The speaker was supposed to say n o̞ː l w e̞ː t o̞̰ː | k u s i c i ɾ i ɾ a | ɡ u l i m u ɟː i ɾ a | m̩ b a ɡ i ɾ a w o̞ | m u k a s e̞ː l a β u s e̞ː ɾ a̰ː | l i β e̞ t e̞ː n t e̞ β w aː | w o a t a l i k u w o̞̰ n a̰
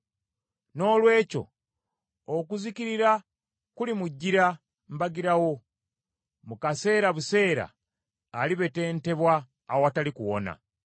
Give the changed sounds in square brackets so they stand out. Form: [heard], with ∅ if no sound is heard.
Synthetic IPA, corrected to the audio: n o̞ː l w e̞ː [c] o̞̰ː | k u [z] i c i ɾ i ɾ a | [k] u l i m u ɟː i ɾ a | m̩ b a ɡ i ɾ a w o̞ | m u k a s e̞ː [ɾ] a β u s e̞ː ɾ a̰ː | l i β e̞ t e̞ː n t e̞ β w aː | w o a t a l i k u w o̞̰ n a̰